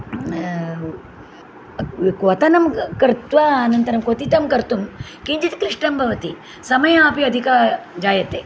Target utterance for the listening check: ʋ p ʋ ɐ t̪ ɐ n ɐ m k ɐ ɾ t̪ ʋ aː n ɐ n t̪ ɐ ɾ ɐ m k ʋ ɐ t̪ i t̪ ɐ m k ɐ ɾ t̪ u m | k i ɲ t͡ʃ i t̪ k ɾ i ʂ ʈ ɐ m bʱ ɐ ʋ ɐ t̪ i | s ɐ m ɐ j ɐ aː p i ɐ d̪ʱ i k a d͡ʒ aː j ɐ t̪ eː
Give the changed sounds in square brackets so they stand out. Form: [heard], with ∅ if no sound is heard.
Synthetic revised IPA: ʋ [k] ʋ ɐ t̪ ɐ n ɐ m k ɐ ɾ t̪ ʋ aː n ɐ n t̪ ɐ ɾ ɐ m k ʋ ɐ t̪ i t̪ ɐ m k ɐ ɾ t̪ u m | k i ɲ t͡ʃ i t̪ k ɾ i ʂ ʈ ɐ m bʱ ɐ ʋ ɐ t̪ i | s ɐ m ɐ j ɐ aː p i ɐ d̪ʱ i k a d͡ʒ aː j ɐ t̪ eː